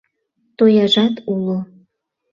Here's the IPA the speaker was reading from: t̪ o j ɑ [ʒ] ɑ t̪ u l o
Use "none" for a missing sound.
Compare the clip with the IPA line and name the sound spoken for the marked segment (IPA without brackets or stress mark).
ʒ